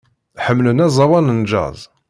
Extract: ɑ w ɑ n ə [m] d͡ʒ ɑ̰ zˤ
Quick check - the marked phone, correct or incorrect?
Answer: incorrect